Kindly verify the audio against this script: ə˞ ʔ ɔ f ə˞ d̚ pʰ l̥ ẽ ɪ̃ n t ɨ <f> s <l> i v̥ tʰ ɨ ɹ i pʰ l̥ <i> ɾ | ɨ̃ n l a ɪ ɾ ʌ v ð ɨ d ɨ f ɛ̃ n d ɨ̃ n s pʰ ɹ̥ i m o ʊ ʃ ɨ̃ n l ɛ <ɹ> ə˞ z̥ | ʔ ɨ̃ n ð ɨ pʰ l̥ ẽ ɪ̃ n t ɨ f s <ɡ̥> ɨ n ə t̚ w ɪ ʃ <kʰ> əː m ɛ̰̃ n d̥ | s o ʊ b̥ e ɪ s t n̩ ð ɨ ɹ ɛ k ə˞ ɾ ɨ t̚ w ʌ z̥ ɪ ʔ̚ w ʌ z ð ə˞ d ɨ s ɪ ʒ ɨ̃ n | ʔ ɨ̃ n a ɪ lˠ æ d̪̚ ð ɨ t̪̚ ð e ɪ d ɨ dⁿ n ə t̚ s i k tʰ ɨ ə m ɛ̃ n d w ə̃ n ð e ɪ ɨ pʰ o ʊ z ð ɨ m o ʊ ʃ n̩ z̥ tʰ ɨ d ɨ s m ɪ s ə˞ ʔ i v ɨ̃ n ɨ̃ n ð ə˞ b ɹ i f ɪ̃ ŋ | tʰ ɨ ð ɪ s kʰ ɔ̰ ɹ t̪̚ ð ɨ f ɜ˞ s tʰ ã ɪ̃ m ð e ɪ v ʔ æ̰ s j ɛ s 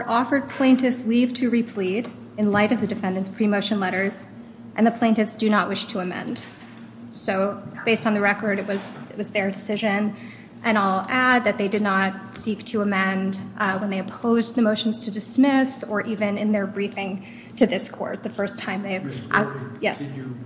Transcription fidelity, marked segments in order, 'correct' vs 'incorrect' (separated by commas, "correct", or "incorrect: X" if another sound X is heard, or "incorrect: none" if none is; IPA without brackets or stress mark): correct, correct, correct, incorrect: ɾ, incorrect: d̥, incorrect: tʰ